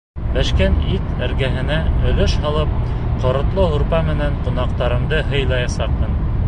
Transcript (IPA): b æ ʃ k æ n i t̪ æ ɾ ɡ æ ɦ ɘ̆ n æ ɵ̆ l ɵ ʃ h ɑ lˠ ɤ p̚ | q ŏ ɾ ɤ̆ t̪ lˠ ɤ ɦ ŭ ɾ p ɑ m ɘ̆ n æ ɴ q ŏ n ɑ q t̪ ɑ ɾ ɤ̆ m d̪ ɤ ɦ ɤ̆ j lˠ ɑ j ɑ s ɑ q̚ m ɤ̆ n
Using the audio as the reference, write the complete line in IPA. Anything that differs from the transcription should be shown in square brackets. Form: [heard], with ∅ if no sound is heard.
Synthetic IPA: b æ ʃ k æ n i t̪ æ ɾ ɡ æ ɦ ɘ̆ n æ ɵ̆ l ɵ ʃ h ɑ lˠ ɤ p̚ | q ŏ ɾ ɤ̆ t̪ lˠ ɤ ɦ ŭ ɾ p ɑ m ɘ̆ n æ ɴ q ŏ n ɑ q t̪ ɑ ɾ ɤ̆ m d̪ ɤ ɦ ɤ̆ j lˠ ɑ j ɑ s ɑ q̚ m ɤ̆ n